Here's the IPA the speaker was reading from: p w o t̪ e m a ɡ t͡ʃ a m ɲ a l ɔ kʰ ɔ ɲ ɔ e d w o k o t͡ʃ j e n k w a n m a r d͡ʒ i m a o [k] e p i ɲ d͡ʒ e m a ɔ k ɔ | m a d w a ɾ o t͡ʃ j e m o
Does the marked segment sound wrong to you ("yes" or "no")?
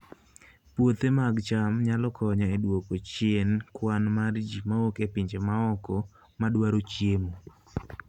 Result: no